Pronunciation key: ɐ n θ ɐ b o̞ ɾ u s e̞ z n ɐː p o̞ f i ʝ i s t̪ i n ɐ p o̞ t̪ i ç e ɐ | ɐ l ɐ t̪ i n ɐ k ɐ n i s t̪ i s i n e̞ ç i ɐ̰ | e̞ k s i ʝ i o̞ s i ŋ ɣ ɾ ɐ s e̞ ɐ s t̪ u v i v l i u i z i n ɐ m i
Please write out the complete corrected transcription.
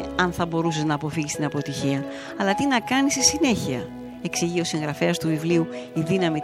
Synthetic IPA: ɐ n θ ɐ b o̞ ɾ u s e̞ z n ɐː p o̞ f i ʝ i s t̪ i n ɐ p o̞ t̪ i ç i ɐ | ɐ l ɐ t̪ i n ɐ k ɐ n i s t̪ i s i n e̞ ç i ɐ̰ | e̞ k s i ʝ i o̞ s i ŋ ɣ ɾ ɐ f e̞ ɐ s t̪ u v i v l i u i ð i n ɐ m i